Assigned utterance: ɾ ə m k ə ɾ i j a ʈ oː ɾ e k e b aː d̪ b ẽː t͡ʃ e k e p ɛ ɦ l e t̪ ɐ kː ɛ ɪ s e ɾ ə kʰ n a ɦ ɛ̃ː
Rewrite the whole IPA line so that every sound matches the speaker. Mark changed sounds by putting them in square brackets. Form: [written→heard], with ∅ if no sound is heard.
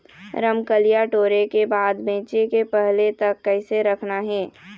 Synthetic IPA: ɾ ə m k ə [ɾ→l] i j a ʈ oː ɾ e k e b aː d̪ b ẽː t͡ʃ e k e p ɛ ɦ l e t̪ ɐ kː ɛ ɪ s e ɾ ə kʰ n a ɦ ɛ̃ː